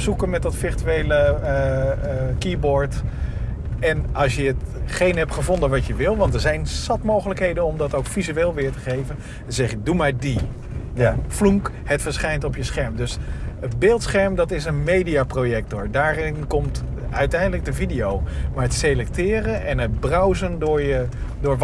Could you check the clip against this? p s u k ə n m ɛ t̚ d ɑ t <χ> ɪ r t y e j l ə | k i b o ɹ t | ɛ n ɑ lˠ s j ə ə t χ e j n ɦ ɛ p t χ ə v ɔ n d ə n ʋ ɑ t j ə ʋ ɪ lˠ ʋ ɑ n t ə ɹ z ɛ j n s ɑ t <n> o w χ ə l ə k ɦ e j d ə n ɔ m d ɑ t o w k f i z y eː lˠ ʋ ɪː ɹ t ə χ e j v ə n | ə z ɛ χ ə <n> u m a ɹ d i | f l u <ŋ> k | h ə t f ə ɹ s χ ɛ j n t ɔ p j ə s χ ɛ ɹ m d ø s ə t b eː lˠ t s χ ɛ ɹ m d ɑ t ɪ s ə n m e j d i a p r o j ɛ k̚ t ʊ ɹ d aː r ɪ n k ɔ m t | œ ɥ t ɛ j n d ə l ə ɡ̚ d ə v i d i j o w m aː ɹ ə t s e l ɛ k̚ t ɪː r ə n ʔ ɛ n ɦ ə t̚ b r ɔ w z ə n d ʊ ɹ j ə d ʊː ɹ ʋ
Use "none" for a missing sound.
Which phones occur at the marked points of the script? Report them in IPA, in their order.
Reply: f, m, d, ŋ

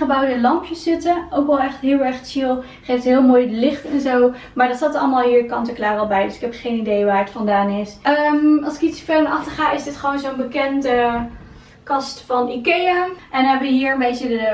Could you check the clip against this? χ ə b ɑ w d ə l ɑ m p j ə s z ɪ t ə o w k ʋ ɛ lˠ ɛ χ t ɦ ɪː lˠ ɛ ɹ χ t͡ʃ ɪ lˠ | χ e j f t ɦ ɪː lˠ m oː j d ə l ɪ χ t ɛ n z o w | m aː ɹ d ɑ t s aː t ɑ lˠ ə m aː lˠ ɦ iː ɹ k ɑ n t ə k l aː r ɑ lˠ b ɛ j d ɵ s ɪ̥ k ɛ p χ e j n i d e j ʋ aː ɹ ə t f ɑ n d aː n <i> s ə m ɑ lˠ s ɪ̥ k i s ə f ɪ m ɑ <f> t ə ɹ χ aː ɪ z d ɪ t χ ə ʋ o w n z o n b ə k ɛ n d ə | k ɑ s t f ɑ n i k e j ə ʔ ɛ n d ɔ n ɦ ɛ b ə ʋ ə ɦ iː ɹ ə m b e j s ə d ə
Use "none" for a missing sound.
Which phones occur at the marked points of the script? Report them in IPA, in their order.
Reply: ɪ, χ

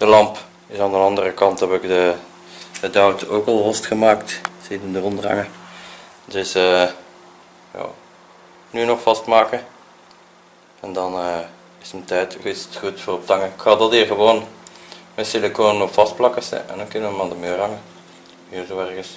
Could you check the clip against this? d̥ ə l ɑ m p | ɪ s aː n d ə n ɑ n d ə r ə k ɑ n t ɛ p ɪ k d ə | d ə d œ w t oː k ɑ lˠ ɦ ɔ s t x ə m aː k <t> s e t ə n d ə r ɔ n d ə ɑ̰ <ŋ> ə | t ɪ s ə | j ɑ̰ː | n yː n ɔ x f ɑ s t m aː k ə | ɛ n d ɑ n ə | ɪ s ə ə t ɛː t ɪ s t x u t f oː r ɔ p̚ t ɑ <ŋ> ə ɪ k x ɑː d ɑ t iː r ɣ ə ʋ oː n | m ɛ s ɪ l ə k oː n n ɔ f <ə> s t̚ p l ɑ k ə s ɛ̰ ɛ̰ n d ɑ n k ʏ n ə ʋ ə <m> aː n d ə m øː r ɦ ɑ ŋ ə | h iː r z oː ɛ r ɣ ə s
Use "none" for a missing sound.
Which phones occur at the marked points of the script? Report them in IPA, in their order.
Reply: t, ŋ, ŋ, ɑ, m

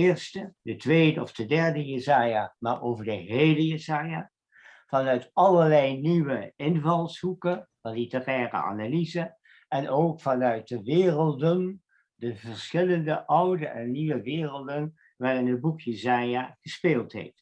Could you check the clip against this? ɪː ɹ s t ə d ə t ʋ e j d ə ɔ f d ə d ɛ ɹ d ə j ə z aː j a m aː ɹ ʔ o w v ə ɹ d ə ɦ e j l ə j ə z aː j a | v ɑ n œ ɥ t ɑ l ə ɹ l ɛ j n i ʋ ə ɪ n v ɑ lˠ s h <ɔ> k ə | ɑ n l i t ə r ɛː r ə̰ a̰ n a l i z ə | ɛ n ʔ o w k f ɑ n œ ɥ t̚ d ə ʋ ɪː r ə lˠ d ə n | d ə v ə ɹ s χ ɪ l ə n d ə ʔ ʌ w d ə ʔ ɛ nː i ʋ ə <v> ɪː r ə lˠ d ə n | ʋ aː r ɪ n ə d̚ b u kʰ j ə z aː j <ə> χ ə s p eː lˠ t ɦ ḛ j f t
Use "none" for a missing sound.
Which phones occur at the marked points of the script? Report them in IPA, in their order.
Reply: u, ʋ, a

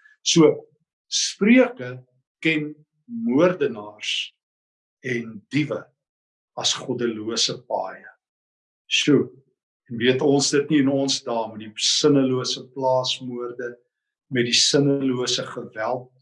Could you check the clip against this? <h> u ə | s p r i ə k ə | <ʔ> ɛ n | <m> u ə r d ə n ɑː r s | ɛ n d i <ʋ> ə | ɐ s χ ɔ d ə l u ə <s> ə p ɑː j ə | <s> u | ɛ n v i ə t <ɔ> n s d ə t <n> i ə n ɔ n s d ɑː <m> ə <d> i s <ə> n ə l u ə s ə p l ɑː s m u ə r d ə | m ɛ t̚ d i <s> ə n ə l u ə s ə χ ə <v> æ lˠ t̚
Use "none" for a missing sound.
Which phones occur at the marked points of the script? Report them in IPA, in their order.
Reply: s, k, m, v, s, s, ɔ, n, m, d, ə, s, v

